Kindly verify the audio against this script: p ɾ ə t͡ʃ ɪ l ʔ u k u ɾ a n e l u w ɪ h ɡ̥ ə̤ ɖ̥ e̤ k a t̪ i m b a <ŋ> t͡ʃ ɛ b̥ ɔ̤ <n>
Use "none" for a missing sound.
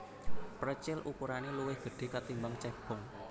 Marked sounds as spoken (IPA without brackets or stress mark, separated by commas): ŋ, ŋ